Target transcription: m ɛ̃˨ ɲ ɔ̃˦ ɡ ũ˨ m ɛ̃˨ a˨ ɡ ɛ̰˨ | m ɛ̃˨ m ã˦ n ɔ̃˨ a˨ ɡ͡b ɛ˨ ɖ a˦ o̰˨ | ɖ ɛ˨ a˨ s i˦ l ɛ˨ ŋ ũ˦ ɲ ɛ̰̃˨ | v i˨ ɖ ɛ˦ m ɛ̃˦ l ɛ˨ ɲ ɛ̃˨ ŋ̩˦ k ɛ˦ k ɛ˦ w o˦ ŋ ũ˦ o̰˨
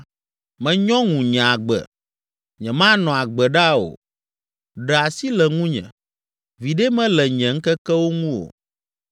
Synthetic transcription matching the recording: m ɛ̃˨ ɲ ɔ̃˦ ŋ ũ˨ ɲ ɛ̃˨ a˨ ɡ͡b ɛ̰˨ | ɲ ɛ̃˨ m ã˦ n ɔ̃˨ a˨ ɡ͡b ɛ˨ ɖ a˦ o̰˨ | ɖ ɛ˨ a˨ s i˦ l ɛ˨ ŋ ũ˦ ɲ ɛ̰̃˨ | v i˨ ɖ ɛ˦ m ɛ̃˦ l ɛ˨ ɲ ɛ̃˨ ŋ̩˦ k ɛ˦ k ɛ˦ w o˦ ŋ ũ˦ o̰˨